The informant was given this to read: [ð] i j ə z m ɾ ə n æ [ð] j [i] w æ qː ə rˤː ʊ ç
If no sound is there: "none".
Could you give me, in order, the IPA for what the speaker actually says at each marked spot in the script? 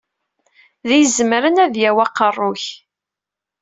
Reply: ð, ð, æ

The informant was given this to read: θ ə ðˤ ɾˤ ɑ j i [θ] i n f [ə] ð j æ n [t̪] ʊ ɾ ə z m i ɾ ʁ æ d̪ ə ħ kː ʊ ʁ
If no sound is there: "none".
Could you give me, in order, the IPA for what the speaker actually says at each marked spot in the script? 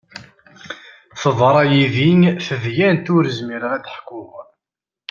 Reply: ð, ə, t̪

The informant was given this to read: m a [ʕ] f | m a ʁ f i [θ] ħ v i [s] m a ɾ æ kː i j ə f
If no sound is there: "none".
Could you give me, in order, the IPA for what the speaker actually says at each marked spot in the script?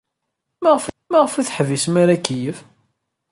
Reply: ʁ, θ, s

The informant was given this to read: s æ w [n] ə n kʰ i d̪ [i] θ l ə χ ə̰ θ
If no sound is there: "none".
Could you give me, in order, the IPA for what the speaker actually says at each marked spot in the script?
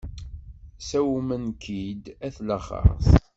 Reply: m, æ

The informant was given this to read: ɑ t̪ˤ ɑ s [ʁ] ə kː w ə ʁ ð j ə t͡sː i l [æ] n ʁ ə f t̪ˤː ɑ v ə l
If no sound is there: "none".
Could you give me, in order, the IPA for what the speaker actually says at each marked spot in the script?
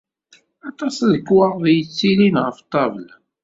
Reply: ð, i

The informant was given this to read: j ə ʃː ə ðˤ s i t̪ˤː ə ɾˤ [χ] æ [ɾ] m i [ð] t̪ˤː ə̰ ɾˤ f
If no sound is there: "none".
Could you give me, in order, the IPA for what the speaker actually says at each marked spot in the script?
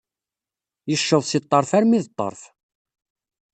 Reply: f, ɾ, ð

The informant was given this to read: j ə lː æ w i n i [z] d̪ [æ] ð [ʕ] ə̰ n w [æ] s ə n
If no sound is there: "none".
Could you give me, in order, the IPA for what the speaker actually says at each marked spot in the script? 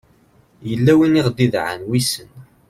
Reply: ʁ, i, ʕ, i

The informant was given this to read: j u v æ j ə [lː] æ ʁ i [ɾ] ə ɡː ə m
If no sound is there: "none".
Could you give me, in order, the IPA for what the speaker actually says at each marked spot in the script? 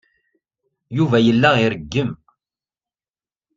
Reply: lː, ɾ

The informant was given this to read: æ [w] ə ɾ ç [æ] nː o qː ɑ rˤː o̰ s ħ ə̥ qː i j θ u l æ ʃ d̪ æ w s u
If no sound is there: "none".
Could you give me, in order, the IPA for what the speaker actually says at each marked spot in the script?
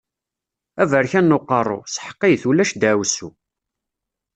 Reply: v, æ

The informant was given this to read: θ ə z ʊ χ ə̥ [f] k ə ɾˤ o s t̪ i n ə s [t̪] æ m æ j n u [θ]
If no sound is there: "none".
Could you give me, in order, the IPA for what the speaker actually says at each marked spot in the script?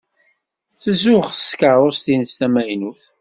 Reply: s, t̪, θ

